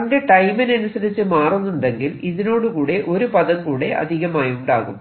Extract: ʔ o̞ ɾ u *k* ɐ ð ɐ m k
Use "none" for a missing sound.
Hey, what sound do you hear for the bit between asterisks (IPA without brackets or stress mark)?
p